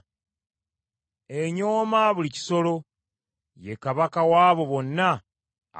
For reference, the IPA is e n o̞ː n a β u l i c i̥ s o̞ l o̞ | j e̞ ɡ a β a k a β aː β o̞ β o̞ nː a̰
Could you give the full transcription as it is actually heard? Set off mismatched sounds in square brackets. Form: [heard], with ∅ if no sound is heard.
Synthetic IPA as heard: e [ɲ] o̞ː [m] a β u l i c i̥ s o̞ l o̞ | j e̞ [k] a β a k a [w] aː β o̞ β o̞ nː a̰